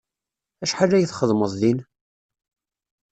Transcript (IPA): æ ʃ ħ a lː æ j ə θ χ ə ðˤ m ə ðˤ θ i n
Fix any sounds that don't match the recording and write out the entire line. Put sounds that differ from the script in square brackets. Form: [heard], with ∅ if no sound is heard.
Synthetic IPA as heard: æ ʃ ħ a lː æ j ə θ χ ə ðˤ m ə ðˤ [ð] i n